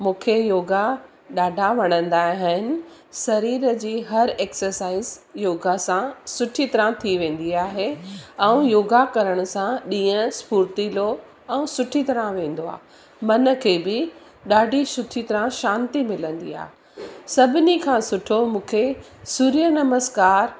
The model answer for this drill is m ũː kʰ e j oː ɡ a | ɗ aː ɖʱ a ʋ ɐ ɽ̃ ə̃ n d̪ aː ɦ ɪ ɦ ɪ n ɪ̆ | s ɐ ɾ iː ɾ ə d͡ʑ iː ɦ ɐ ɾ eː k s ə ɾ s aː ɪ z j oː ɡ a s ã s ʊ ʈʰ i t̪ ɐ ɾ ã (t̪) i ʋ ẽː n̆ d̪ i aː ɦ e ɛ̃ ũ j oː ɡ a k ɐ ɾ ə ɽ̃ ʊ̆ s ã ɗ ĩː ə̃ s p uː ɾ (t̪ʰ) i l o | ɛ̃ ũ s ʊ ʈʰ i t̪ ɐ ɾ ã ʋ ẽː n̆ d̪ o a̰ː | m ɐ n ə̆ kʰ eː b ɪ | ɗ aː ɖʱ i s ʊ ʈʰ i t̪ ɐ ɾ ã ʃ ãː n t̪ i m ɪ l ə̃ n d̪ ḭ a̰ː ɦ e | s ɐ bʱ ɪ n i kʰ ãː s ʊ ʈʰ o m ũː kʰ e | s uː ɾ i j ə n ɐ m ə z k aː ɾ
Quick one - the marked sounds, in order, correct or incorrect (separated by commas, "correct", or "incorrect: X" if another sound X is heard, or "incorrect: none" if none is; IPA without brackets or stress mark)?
incorrect: t̪ʰ, incorrect: t̪